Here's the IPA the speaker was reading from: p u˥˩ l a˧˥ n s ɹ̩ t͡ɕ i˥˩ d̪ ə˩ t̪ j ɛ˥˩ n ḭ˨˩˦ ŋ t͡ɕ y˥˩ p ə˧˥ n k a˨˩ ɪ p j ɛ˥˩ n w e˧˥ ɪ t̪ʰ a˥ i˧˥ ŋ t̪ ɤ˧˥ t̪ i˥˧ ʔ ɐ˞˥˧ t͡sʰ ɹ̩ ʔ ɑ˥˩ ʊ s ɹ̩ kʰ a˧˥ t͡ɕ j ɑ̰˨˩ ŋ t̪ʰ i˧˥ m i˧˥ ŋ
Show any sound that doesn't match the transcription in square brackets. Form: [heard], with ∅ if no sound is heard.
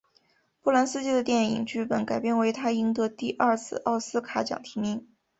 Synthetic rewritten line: p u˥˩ l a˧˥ n s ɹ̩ t͡ɕ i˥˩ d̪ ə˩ t̪ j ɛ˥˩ n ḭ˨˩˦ ŋ t͡ɕ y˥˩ p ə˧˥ n k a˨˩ ɪ p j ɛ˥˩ n w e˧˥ ɪ t̪ʰ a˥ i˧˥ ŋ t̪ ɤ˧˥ t̪ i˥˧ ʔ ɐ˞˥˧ t͡sʰ ɹ̩ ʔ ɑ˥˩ ʊ s ɹ̩ kʰ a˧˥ t͡ɕ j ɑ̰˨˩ ŋ t̪ʰ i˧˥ m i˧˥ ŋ